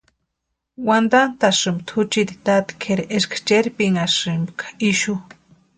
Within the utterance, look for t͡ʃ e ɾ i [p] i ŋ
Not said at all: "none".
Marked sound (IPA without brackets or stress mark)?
p